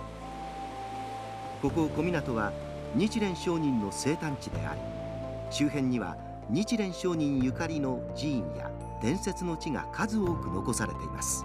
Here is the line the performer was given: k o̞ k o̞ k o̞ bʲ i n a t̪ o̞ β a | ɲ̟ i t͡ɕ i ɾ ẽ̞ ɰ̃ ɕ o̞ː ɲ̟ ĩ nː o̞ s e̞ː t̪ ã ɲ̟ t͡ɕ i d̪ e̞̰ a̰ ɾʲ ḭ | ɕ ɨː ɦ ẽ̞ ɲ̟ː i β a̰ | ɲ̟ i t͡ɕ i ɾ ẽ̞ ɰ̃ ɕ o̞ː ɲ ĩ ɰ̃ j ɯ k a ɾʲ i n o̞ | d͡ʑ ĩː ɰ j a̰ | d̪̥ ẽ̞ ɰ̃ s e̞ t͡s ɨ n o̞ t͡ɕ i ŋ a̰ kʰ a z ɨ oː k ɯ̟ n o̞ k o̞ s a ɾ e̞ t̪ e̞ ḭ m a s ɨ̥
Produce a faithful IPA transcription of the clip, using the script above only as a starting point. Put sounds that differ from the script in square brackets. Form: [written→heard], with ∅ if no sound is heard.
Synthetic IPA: k o̞ k o̞ k o̞ [bʲ→mʲ] i n a t̪ o̞ β a | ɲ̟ i t͡ɕ i ɾ ẽ̞ ɰ̃ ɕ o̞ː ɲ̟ ĩ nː o̞ s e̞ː t̪ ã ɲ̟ t͡ɕ i d̪ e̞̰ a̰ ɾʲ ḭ | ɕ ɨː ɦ ẽ̞ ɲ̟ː i β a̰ | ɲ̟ i t͡ɕ i ɾ ẽ̞ ɰ̃ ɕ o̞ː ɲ ĩ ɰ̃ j ɯ k a ɾʲ i n o̞ | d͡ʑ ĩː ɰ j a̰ | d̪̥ ẽ̞ ɰ̃ s e̞ t͡s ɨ n o̞ t͡ɕ i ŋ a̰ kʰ a z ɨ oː k ɯ̟ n o̞ k o̞ s a ɾ e̞ t̪ e̞ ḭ m a s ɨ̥